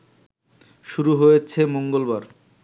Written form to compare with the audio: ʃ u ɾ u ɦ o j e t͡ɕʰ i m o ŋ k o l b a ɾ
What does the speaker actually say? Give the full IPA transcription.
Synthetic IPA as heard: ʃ u ɾ u ɦ o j e t͡ɕʰ e m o ŋ ɡ o l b a ɾ